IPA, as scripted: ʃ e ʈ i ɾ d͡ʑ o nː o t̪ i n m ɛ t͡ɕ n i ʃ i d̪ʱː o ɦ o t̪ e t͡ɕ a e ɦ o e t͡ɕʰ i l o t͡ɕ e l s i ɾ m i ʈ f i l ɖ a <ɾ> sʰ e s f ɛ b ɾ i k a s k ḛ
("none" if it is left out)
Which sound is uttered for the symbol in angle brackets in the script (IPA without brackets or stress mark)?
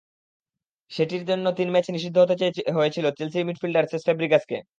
ɾ